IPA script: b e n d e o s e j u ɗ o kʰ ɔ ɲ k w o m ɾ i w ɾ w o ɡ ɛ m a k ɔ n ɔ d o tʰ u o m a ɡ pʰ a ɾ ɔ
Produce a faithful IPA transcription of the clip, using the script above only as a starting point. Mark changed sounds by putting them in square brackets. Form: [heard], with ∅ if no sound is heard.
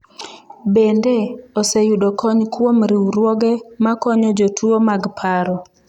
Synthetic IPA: b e n d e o s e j u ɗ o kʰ ɔ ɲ k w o m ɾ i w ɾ w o ɡ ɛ m a k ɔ [ɲ] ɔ [d͡ʒ] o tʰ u o m a ɡ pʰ a ɾ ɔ